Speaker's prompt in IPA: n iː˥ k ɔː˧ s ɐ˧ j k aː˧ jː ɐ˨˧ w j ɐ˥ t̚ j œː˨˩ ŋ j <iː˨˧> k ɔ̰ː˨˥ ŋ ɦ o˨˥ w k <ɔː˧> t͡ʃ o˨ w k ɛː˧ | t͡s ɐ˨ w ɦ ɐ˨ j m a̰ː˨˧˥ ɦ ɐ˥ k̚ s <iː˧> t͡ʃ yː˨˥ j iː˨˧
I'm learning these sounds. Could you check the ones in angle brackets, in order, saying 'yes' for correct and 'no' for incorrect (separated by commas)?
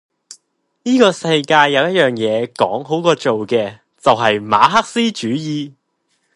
no, yes, no